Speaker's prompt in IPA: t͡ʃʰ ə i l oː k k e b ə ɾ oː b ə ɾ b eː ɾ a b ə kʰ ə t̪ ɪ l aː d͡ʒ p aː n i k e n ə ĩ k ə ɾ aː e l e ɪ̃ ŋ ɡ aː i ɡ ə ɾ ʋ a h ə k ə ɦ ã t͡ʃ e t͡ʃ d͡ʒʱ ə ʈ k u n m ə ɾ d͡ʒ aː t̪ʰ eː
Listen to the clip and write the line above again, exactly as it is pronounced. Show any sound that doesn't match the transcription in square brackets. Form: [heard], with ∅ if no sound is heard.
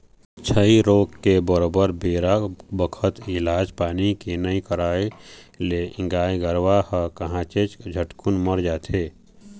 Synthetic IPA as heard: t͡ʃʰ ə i [ɾ] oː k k e b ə ɾ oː b ə ɾ b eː ɾ a b ə kʰ ə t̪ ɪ l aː d͡ʒ p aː n i k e n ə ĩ k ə ɾ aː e l e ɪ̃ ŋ ɡ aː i ɡ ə ɾ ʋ a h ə k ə ɦ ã t͡ʃ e t͡ʃ d͡ʒʱ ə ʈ k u n m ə ɾ d͡ʒ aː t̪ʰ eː